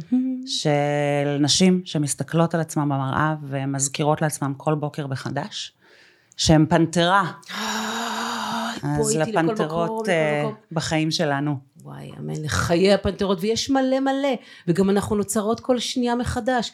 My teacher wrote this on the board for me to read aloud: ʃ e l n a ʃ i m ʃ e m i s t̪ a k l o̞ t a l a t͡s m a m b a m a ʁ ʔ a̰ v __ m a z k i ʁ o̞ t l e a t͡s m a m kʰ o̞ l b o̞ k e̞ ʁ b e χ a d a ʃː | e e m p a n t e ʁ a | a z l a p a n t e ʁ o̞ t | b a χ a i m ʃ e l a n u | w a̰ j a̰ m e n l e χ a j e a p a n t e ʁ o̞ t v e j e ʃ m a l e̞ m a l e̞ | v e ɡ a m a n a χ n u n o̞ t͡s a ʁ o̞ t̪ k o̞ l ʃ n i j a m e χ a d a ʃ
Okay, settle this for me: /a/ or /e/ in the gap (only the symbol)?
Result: e